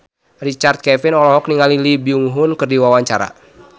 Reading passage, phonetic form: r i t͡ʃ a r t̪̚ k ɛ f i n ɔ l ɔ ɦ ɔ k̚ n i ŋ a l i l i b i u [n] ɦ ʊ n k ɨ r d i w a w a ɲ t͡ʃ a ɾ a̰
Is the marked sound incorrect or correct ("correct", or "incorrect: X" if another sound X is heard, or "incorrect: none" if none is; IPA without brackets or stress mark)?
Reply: incorrect: ŋ